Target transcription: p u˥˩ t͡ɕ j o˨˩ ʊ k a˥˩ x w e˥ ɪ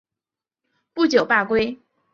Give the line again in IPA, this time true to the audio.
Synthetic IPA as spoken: p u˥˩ t͡ɕ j o˨˩ ʊ p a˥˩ k w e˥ ɪ